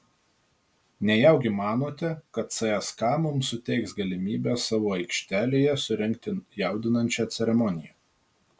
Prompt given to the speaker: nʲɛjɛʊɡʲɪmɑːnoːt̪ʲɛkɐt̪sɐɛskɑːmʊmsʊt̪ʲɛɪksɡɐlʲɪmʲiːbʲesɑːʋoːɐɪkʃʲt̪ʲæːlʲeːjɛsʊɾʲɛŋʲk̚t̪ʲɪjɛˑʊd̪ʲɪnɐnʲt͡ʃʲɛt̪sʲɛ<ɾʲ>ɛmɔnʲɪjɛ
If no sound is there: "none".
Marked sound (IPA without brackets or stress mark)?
ɾʲ